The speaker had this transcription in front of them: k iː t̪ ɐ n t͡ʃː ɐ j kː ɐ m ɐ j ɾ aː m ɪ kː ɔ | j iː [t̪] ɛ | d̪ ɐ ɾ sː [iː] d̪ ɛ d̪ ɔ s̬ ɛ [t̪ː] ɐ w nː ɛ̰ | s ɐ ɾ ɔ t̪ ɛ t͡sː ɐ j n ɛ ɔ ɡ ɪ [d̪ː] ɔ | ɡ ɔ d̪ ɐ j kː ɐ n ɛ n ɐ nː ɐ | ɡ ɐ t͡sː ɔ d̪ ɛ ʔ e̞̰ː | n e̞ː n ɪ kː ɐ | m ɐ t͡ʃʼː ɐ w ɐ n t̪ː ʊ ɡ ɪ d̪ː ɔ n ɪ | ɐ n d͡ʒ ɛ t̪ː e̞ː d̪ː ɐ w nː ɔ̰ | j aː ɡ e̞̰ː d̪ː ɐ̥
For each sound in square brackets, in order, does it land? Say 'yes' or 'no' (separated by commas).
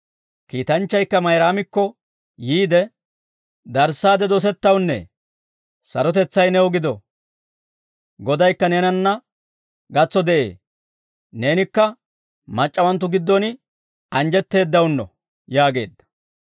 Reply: no, no, yes, no